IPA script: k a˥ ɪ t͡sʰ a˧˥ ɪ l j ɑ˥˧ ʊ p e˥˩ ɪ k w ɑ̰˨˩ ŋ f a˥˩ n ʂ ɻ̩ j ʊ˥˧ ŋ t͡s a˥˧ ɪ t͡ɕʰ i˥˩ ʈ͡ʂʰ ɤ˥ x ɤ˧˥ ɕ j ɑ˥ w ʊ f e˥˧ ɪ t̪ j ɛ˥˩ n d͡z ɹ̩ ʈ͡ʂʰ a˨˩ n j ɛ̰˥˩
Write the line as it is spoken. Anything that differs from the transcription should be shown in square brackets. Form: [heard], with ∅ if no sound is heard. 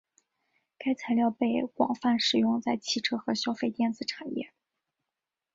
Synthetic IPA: k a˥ ɪ t͡sʰ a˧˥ ɪ l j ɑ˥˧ ʊ p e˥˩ ɪ k w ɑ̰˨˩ ŋ f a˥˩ n ʂ ɻ̩ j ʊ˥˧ ŋ t͡s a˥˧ ɪ t͡ɕʰ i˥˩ ʈ͡ʂʰ ɤ˥ x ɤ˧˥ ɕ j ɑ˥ [∅] ʊ f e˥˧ ɪ t̪ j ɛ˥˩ n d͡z ɹ̩ ʈ͡ʂʰ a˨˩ n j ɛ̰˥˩